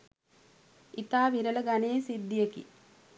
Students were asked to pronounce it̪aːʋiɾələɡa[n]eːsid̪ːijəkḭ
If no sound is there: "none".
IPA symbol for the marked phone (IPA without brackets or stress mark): n